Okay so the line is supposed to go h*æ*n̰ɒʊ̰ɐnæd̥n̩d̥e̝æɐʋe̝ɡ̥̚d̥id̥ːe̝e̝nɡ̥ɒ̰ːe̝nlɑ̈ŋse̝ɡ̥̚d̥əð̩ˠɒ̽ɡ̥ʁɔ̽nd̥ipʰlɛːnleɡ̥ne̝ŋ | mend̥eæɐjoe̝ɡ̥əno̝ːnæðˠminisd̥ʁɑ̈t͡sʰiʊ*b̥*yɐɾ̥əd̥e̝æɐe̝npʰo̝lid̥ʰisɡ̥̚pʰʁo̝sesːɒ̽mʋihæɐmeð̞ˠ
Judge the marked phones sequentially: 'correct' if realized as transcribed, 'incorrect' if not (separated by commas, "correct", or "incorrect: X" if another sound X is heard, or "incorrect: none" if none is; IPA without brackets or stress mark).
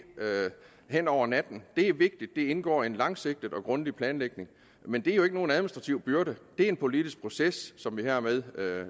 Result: incorrect: e, correct